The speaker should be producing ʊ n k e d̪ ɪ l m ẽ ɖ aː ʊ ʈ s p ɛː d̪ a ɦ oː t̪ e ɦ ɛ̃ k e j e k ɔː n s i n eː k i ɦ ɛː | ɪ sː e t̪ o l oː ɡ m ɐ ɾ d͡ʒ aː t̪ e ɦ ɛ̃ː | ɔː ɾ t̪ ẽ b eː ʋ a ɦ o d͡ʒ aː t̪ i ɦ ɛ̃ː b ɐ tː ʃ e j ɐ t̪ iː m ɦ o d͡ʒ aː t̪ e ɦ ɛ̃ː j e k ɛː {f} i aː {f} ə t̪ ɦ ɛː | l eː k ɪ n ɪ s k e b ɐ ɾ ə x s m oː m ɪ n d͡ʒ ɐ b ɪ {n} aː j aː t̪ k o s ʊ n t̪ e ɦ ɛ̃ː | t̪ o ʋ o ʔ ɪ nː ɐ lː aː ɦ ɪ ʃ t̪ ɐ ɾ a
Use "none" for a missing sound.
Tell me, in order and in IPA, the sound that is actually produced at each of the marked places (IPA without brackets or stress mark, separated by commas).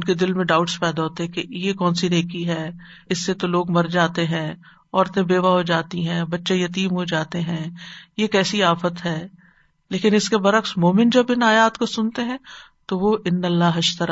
s, f, n